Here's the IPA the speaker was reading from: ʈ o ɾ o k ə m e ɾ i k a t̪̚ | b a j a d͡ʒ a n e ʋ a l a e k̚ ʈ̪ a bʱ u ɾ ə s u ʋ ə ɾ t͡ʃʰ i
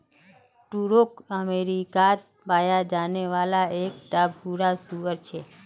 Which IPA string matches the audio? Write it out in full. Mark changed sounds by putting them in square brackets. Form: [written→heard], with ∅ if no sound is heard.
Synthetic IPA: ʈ [o→u] ɾ o k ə m e ɾ i k a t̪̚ | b a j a d͡ʒ a n e ʋ a l a e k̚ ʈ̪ a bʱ u ɾ [ə→a] s u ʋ ə ɾ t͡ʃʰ [i→e]